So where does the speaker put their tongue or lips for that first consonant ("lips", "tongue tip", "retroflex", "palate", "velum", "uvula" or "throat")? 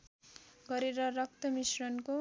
velum